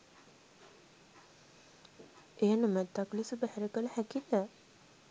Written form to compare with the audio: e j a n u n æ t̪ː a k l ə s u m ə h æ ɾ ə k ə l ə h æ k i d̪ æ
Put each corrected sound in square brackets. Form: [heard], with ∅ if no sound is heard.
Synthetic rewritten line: e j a n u [m] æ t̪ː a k l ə s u [b] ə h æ ɾ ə k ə l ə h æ k i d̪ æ

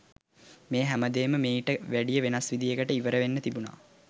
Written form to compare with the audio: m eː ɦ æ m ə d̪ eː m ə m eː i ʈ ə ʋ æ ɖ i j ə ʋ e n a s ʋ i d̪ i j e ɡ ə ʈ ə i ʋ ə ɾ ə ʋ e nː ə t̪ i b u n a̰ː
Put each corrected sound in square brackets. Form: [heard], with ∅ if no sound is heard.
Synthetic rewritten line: m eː ɦ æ m ə d̪ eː m ə m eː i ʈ ə ʋ æ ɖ i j ə ʋ e n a s ʋ i d̪ i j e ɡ ə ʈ ə i ʋ ə ɾ ə ʋ e nː ə t̪ i b u n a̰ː

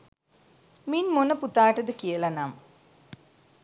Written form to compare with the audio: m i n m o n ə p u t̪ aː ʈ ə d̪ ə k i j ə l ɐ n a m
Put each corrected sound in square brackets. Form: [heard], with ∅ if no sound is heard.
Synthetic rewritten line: m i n m o n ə p u t̪ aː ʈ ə d̪ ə k i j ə l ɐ n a m

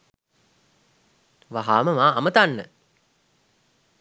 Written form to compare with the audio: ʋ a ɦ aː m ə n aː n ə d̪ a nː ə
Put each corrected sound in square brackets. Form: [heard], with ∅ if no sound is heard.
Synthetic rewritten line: ʋ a ɦ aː m ə [m] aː [m] ə [t̪] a nː ə

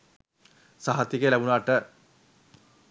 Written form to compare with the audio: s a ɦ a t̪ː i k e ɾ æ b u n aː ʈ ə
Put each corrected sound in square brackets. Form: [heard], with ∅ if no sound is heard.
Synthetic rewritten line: s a ɦ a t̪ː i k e [l] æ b u n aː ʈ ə

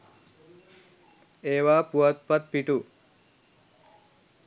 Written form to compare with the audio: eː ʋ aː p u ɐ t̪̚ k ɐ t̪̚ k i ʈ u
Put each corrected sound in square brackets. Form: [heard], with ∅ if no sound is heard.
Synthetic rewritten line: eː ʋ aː p u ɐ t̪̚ [p] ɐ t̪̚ [p] i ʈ u

